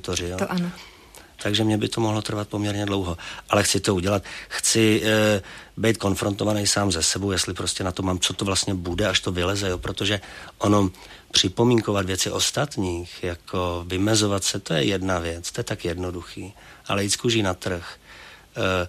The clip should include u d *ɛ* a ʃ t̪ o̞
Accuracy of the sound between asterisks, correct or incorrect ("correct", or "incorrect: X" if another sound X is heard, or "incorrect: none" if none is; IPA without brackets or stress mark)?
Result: correct